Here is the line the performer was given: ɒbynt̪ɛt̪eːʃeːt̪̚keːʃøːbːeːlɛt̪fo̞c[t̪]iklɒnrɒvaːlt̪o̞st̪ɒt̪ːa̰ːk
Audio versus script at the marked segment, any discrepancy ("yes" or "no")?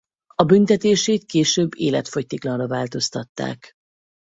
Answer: no